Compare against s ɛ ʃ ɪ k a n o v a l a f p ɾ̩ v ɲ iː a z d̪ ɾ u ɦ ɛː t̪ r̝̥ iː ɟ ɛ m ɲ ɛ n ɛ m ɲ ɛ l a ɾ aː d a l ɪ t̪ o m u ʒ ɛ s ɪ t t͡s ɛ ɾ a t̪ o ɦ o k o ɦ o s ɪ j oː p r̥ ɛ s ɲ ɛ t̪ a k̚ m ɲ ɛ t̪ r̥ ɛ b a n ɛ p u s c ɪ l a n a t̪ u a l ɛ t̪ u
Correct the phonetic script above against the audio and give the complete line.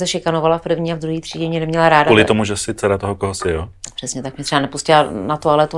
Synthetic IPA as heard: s ɛ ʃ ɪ k a n o v a l a f p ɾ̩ v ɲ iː a v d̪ ɾ u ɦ iː t̪ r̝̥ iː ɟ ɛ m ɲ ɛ n ɛ m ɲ ɛ l a ɾ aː d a l ɪ t̪ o m u ʒ ɛ s ɪ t t͡s ɛ ɾ a t̪ o ɦ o k o ɦ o s ɪ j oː p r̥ ɛ s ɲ ɛ t̪ a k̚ m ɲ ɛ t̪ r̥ ɛ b a n ɛ p u s c ɪ l a n a t̪ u a l ɛ t̪ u